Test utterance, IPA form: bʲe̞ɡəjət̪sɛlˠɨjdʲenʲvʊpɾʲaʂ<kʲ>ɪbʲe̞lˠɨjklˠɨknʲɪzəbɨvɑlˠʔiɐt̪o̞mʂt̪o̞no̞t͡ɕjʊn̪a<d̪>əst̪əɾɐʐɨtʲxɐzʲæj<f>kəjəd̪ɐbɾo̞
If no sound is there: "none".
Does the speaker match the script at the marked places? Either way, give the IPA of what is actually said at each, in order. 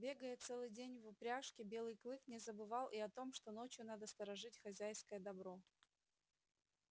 kʲ, d̪, s

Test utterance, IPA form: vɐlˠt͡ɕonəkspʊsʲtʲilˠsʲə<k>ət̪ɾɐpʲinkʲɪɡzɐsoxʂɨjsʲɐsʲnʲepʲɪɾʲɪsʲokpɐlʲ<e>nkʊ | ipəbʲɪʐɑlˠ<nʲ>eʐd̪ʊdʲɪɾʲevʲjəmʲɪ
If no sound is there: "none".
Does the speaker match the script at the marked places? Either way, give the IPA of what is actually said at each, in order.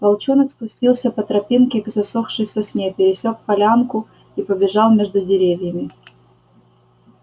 p, a, mʲ

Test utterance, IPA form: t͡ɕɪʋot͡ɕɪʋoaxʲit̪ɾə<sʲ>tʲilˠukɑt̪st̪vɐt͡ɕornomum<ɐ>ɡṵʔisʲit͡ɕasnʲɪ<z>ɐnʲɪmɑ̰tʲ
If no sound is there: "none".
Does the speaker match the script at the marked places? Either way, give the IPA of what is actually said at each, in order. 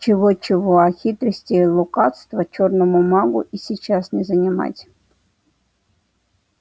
sʲ, ɑ, z

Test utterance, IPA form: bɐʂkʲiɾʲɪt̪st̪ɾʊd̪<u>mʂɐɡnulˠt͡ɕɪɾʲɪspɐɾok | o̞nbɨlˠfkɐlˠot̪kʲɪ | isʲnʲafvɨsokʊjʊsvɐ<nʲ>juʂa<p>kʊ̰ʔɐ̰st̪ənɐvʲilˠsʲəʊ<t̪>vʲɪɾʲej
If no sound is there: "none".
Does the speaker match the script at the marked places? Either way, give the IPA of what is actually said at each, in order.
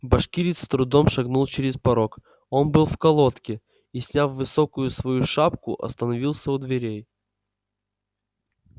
o, none, p, d̪

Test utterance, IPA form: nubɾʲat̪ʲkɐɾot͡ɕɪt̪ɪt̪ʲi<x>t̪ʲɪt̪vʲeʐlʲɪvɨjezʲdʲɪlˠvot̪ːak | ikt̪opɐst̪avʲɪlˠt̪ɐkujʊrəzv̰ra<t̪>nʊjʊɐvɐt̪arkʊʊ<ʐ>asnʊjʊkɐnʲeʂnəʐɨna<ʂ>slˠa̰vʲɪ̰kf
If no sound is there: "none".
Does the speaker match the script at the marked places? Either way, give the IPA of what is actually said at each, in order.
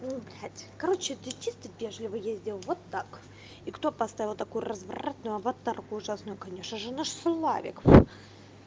s, t̪, ʐ, ʂ

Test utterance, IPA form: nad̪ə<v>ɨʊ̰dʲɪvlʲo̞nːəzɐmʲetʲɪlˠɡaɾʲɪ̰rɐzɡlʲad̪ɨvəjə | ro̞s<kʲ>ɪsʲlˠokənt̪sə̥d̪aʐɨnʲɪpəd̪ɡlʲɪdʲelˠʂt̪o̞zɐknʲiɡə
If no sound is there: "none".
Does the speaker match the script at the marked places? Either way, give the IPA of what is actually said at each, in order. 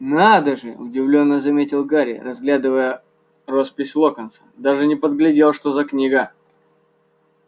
ʐ, pʲ

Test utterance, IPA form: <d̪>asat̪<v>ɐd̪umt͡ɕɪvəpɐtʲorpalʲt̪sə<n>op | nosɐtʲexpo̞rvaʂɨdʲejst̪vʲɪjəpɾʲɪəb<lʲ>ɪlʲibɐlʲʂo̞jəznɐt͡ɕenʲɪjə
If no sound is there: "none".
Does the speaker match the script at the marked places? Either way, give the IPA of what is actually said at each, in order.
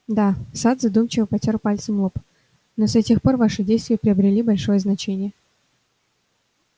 d̪, z, m, ɾʲ

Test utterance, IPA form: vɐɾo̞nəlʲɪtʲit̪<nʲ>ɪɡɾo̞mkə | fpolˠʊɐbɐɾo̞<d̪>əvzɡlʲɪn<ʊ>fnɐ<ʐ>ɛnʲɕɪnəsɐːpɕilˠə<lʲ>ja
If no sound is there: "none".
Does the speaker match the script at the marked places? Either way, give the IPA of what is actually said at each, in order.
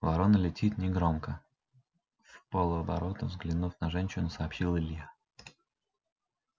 nʲ, t̪, u, ʐ, lʲ

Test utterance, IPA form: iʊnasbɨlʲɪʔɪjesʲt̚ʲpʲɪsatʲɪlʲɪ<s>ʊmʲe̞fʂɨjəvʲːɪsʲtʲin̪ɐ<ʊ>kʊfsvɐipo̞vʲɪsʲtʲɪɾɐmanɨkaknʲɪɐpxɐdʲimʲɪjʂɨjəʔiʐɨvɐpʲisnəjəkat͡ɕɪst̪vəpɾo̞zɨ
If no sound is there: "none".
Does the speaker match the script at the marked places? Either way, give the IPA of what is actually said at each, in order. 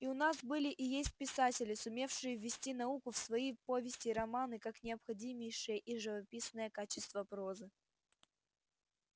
s, u

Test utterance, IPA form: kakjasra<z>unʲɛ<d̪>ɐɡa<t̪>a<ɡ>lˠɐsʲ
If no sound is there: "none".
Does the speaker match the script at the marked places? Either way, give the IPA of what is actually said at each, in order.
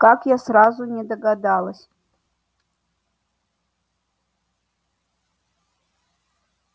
z, d̪, d̪, none

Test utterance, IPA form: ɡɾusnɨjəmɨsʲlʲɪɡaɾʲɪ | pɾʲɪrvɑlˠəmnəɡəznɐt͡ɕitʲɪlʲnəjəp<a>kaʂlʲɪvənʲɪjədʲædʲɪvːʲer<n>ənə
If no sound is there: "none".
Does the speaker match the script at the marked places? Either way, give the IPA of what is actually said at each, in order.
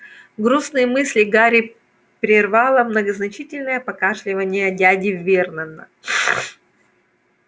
ɐ, n

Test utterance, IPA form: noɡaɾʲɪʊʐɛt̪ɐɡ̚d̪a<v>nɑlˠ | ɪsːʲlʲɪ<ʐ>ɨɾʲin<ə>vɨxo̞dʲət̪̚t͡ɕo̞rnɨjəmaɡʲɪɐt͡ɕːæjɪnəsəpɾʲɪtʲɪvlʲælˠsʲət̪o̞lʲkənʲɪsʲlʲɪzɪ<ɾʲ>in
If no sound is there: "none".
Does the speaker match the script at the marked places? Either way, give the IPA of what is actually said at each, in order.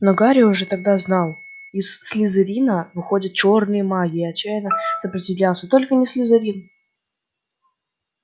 z, z, ə, ɾʲ

